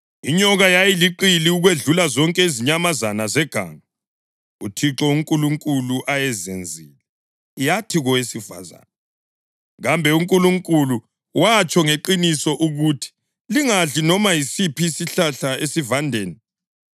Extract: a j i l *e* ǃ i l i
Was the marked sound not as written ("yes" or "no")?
yes